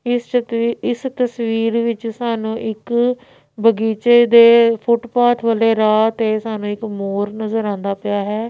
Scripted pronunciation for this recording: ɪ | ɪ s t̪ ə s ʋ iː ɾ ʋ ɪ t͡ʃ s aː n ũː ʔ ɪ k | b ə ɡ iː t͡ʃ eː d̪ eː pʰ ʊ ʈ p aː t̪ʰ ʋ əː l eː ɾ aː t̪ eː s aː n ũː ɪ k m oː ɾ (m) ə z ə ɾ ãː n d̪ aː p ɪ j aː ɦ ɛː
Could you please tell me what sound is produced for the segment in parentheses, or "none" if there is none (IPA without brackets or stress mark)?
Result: n